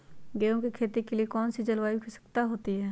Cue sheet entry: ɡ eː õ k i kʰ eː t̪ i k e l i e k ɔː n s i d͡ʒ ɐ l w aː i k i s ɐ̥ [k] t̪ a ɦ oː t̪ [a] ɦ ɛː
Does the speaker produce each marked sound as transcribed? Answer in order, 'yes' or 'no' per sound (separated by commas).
yes, no